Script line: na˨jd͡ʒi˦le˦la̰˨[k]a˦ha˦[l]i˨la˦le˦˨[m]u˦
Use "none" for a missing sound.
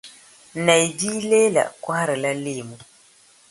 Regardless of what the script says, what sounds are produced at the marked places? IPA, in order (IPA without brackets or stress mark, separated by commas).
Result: k, ɾ, m